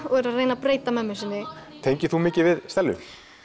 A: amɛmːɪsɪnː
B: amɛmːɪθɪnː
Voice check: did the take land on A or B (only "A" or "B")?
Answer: A